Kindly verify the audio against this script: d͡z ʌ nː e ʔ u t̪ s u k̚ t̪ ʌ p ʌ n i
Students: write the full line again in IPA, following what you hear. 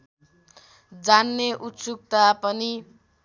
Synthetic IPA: d͡z a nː e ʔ u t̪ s u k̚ t̪ a p ʌ n i